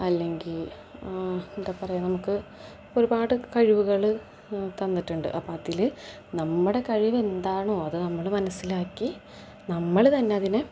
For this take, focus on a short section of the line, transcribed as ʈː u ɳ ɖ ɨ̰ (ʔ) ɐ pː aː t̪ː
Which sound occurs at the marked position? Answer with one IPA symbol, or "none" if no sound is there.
ʔ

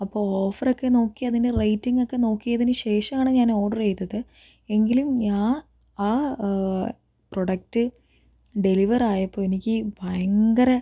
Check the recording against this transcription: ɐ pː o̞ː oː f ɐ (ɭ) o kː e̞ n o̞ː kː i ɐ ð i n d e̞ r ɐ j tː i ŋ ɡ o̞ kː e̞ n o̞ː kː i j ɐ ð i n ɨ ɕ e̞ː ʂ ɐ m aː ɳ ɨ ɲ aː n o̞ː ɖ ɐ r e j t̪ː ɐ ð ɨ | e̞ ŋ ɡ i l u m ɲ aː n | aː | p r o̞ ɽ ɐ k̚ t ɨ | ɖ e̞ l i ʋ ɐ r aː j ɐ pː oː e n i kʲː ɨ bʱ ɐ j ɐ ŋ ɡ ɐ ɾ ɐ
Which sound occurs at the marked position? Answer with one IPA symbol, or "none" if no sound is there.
r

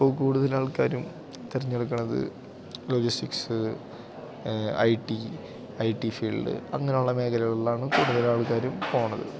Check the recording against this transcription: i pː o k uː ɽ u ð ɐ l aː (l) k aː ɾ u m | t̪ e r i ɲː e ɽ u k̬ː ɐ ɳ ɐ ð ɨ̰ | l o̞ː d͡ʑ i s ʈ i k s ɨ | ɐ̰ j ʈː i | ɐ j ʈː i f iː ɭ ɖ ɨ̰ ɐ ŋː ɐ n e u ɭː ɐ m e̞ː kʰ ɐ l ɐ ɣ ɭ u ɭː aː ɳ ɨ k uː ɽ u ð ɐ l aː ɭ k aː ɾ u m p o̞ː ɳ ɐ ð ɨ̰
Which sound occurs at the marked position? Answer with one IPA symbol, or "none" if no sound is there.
ɭ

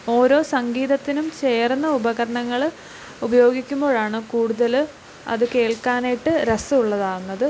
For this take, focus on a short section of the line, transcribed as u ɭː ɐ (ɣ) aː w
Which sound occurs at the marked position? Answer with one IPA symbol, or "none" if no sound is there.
ð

